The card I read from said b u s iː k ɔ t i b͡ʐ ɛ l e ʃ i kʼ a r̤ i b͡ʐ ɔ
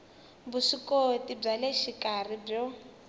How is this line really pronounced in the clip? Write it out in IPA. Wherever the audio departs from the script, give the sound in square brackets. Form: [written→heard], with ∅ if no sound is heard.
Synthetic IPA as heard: b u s [iː→i] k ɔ t i b͡ʐ [ɛ→a] l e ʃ i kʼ a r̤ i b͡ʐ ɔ